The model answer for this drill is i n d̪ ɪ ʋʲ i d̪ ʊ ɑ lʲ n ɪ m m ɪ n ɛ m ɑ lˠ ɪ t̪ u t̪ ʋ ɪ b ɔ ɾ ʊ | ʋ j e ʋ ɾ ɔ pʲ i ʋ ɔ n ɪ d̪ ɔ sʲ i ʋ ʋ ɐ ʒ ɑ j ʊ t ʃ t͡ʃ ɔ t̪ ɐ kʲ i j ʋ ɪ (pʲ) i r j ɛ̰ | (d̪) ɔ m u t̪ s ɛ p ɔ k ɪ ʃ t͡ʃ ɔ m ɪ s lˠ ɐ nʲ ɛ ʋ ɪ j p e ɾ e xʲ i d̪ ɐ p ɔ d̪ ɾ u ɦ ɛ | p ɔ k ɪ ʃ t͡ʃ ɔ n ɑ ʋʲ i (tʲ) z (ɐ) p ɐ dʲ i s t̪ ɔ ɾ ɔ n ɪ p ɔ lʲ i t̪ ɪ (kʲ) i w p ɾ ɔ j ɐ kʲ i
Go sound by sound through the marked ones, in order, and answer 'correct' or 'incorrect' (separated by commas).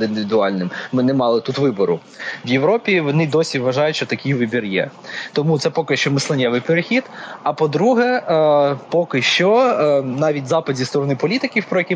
incorrect, incorrect, correct, incorrect, correct